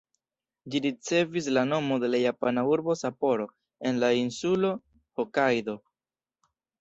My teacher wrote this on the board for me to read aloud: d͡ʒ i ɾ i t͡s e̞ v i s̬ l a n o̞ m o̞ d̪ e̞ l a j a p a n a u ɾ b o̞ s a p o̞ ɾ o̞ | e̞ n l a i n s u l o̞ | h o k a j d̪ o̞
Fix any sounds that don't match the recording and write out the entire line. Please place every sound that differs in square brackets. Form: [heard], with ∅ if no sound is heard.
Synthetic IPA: d͡ʒ i ɾ i t͡s e̞ v i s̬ l a n o̞ m o̞ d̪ e̞ l a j a p a n a u ɾ b o̞ s a p o̞ ɾ o̞ | e̞ n l a i n s u l o̞ | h o k a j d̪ o̞